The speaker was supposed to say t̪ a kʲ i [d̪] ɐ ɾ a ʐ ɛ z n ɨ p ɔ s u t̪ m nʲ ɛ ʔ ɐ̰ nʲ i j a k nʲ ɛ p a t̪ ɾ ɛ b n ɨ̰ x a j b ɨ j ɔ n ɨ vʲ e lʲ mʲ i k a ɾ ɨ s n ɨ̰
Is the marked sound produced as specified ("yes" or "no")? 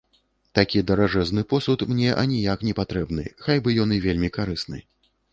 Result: yes